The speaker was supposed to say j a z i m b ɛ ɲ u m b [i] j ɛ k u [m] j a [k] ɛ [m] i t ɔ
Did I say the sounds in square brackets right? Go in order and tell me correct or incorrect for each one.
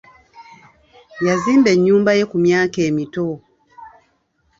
incorrect: a, correct, correct, correct

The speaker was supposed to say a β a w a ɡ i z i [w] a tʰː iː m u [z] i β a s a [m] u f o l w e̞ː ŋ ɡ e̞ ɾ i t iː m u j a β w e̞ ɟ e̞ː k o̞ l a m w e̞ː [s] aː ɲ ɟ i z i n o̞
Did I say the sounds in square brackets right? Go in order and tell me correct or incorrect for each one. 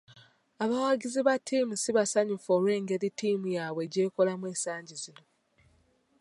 incorrect: β, incorrect: s, incorrect: ɲ, correct

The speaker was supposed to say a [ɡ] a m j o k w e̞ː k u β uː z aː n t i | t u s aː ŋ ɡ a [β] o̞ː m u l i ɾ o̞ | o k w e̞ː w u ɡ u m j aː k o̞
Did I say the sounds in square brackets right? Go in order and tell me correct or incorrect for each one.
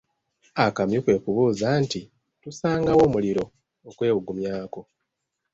incorrect: k, incorrect: w

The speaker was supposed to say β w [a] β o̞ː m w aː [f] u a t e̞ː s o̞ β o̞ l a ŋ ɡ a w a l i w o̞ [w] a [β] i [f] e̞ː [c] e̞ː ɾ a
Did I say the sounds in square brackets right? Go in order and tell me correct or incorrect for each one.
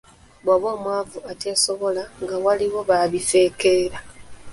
correct, incorrect: v, incorrect: β, correct, correct, incorrect: k

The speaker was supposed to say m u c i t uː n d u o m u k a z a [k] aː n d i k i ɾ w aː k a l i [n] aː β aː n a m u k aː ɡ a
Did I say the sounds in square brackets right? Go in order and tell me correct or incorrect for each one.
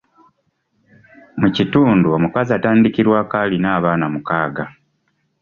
incorrect: t, correct

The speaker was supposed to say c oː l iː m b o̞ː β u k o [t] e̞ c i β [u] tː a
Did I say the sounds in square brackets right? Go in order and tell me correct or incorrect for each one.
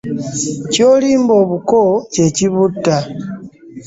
incorrect: c, correct

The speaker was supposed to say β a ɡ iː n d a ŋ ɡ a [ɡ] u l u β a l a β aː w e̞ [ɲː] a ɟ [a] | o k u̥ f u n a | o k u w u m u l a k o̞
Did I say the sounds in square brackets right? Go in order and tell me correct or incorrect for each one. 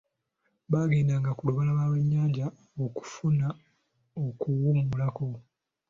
incorrect: k, correct, correct

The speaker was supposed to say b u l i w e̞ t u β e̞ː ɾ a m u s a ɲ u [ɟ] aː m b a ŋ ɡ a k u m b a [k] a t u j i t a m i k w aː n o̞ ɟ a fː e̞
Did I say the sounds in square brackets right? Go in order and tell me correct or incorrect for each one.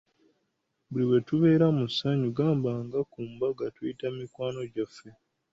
incorrect: ɡ, incorrect: ɡ

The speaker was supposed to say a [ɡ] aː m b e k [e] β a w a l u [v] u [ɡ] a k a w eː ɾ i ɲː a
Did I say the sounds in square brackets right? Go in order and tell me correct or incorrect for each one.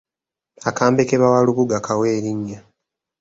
incorrect: k, correct, incorrect: β, correct

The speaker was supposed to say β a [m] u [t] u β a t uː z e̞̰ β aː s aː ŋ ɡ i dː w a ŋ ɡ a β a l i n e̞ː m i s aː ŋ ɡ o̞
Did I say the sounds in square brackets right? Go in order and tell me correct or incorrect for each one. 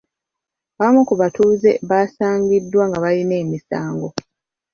correct, incorrect: k

